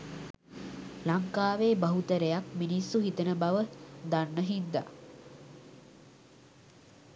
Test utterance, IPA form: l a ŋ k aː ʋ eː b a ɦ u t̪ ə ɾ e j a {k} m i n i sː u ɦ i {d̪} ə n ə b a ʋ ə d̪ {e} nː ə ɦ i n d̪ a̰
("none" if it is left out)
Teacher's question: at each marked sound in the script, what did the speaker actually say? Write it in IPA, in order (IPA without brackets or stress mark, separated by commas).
k, t̪, a